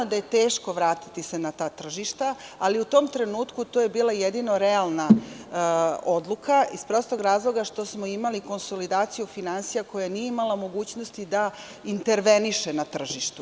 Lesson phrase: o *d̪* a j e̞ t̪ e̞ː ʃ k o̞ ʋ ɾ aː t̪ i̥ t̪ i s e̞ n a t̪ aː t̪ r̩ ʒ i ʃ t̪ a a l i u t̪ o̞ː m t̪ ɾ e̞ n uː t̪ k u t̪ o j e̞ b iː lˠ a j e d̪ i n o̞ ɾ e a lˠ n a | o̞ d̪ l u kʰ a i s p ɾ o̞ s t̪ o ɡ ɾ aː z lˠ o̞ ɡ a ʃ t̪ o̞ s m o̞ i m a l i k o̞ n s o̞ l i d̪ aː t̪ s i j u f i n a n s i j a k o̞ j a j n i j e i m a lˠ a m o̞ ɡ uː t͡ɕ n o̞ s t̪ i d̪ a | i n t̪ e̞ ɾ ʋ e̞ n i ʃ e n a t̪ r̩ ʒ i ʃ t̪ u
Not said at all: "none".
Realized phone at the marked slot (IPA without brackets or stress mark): d̪